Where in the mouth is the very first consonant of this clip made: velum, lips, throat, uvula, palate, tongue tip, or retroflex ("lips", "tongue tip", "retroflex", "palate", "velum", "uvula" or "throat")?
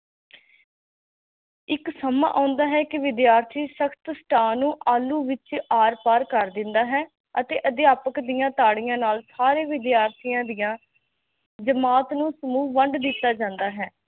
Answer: velum